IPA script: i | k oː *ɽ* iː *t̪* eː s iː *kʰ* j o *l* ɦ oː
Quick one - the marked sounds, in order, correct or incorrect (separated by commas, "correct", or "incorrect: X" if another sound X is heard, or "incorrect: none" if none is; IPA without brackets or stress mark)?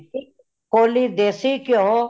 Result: incorrect: l, incorrect: d̪, incorrect: k, incorrect: none